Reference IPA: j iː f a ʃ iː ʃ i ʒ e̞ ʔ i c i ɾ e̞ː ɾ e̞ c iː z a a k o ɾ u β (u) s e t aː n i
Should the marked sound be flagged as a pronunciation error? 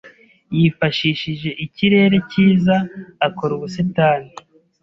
no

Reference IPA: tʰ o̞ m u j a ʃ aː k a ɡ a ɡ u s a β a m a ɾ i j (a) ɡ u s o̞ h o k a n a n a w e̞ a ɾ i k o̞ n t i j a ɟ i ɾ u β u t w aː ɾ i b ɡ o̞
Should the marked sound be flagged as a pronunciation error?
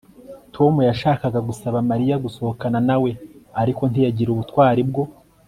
no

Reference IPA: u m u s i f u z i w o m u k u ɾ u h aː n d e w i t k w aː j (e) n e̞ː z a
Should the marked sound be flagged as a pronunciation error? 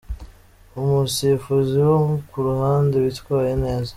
no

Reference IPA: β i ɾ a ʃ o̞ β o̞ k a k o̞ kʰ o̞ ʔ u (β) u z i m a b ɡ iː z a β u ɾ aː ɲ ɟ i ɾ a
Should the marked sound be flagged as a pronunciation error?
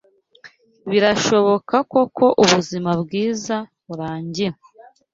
no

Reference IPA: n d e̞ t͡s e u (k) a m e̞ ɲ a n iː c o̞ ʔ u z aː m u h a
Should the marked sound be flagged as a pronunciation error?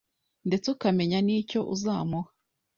no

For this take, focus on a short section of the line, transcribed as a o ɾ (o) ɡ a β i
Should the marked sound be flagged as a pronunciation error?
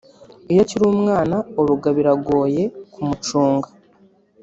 yes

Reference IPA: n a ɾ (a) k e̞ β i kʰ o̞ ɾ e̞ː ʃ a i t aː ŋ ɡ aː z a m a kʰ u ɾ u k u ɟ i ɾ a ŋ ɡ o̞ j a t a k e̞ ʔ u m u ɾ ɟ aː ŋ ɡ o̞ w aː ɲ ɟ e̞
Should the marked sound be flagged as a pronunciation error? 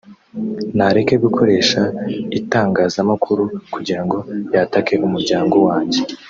yes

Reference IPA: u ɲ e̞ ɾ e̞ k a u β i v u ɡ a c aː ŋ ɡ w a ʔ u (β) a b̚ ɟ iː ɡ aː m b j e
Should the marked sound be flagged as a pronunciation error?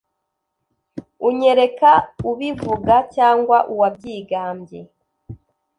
yes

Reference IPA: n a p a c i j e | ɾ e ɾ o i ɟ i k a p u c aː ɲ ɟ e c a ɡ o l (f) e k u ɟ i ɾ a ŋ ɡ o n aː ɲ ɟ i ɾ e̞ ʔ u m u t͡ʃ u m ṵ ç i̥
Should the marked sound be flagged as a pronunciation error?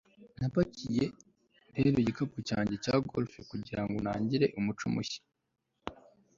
no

